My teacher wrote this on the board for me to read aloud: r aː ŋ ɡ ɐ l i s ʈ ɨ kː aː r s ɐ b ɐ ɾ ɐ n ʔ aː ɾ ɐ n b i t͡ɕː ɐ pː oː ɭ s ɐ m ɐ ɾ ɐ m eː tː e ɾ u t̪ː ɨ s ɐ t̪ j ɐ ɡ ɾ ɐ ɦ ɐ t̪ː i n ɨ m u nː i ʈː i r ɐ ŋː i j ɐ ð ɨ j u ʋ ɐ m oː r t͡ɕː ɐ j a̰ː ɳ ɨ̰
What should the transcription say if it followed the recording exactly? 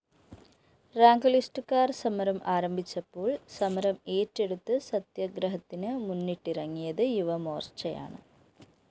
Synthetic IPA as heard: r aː ŋ ɡ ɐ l i s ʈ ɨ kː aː r s ɐ m ɐ ɾ ɐ m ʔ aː ɾ ɐ m b i t͡ɕː ɐ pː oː ɭ s ɐ m ɐ ɾ ɐ m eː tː e ɽ u t̪ː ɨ s ɐ t̪ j ɐ ɡ ɾ ɐ ɦ ɐ t̪ː i n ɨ m u nː i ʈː i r ɐ ŋː i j ɐ ð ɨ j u ʋ ɐ m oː r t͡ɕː ɐ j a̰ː ɳ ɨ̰